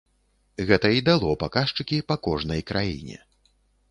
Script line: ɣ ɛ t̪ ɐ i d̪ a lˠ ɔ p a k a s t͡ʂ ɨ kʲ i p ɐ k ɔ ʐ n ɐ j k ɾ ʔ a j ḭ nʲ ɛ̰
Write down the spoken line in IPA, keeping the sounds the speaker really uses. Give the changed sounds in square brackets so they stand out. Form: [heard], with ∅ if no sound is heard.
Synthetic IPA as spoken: ɣ ɛ t̪ ɐ i d̪ a lˠ ɔ p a k a [ʂ] t͡ʂ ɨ kʲ i p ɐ k ɔ ʐ n ɐ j k ɾ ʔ a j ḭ nʲ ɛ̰